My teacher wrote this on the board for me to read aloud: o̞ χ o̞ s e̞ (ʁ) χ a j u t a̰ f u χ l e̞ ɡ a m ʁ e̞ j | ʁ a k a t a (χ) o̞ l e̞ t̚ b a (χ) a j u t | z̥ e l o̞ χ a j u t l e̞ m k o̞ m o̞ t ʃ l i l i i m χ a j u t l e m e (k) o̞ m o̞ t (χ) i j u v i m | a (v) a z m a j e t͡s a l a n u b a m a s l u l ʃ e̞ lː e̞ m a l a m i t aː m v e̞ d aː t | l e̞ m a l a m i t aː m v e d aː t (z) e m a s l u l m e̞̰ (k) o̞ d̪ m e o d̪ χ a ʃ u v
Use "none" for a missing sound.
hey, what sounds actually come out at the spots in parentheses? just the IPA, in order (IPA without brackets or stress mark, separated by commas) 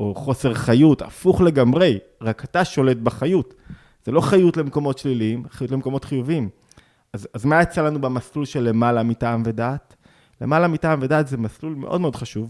ʁ, ʃ, χ, k, χ, z, z, ʔ